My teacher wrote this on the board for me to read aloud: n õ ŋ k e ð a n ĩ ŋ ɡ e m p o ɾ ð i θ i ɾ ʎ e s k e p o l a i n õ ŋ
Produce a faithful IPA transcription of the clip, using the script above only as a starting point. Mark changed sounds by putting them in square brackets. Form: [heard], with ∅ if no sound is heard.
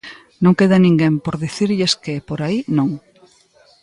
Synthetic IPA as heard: n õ ŋ k e ð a n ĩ ŋ ɡ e m p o ɾ ð i θ i ɾ ʎ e s k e p o [ɾ] a i n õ ŋ